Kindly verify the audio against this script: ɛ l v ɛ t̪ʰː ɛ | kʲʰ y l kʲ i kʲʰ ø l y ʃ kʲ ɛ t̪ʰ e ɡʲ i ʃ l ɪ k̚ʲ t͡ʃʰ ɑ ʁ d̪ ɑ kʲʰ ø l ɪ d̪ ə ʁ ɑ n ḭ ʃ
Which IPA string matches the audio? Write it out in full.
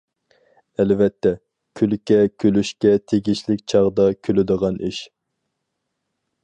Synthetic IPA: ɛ l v ɛ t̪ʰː ɛ | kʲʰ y l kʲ ɛ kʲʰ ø l y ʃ kʲ ɛ t̪ʰ e ɡʲ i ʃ l ɪ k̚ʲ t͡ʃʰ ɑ ʁ d̪ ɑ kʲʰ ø l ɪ d̪ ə ʁ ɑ n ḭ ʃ